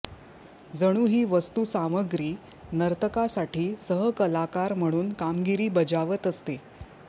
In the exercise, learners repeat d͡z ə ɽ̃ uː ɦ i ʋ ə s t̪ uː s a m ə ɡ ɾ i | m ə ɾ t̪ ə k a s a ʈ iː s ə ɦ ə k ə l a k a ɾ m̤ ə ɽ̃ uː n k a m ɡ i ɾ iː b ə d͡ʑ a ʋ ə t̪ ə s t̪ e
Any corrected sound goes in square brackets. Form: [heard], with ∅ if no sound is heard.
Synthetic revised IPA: d͡z ə ɽ̃ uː ɦ [iː] ʋ ə s t̪ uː s a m ə ɡ ɾ [iː] | [n] ə ɾ t̪ ə k a s a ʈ iː s ə ɦ ə k ə l a k a ɾ m̤ ə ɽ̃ uː n k a m ɡ i ɾ iː b ə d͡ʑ a ʋ ə t̪ ə s t̪ e